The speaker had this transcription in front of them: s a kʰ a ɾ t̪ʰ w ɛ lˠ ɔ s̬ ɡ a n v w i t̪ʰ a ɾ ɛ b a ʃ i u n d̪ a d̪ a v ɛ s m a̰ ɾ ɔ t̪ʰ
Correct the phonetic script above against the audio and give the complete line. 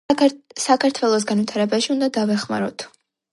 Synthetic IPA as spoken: s a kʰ a ɾ t̪ʰ w ɛ lˠ ɔ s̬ ɡ a n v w i t̪ʰ a ɾ ɛ b a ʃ i u n d̪ a d̪ a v ɛ χ m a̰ ɾ ɔ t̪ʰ